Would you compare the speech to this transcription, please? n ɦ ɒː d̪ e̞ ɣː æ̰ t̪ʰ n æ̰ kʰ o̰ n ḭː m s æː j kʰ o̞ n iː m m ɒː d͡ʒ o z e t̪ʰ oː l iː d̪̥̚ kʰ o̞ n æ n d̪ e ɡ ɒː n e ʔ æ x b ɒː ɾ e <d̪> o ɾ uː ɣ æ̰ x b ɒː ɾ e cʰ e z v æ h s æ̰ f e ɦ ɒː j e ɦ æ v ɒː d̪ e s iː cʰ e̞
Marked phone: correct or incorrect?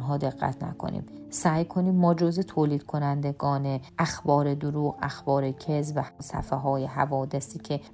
correct